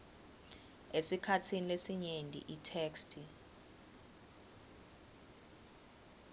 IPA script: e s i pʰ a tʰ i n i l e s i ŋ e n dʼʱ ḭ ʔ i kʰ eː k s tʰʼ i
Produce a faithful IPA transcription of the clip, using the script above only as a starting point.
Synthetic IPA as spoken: e s i kʰ a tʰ i n i l e s i ɲ e n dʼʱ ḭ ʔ i tʰ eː k s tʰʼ i